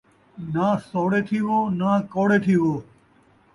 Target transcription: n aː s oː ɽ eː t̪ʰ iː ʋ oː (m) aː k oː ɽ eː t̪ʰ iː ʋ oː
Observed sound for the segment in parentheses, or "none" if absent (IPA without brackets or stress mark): n